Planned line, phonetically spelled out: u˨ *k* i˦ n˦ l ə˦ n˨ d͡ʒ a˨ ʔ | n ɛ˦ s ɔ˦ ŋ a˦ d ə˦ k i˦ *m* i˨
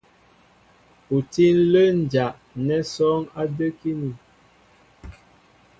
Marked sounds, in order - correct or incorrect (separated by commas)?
incorrect, incorrect